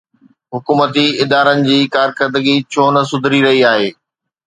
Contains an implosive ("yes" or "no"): no